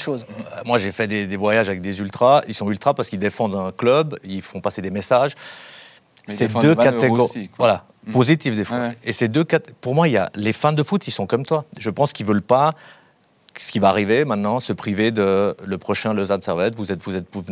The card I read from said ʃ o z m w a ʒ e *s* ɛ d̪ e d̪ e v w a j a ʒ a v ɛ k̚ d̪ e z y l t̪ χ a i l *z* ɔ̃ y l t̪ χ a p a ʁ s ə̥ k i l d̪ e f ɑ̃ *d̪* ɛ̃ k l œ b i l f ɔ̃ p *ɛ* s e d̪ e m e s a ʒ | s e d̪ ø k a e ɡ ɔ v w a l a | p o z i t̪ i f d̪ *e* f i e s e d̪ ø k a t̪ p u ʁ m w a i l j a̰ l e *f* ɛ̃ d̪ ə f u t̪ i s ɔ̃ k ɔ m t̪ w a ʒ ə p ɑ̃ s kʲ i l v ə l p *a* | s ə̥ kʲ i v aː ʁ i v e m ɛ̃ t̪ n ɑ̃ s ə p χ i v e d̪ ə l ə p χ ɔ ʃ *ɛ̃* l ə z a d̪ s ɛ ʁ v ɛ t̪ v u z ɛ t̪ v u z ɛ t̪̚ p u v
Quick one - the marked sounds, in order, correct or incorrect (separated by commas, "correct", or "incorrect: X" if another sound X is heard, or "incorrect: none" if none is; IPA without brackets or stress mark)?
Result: incorrect: f, incorrect: s, correct, incorrect: a, correct, correct, correct, correct